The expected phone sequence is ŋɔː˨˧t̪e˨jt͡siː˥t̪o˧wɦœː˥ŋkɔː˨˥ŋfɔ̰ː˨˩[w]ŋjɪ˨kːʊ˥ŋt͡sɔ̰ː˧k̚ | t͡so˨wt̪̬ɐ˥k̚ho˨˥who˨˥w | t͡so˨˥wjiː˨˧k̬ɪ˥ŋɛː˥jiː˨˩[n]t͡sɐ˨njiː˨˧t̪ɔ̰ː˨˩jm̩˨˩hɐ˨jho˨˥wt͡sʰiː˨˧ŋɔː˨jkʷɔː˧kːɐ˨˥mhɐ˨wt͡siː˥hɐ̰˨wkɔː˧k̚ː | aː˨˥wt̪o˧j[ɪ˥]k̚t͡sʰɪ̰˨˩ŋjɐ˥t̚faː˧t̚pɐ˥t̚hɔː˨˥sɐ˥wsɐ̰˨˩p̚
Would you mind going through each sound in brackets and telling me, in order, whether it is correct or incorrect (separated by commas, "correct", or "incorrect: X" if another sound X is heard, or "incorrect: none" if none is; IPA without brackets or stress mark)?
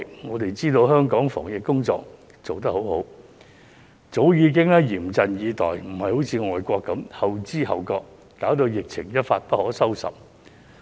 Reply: incorrect: none, incorrect: m, incorrect: ɪ˨